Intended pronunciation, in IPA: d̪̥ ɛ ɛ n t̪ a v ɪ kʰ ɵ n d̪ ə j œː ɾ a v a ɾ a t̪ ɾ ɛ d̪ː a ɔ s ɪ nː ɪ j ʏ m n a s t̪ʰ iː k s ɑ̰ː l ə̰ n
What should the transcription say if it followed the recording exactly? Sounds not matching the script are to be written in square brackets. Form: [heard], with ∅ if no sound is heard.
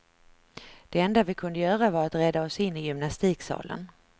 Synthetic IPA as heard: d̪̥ ɛ ɛ n [d̪] a v ɪ kʰ ɵ n d̪ ə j œː ɾ a v a ɾ a t̪ ɾ ɛ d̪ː a ɔ s ɪ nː ɪ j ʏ m n a s [t̪] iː k s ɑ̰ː l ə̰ n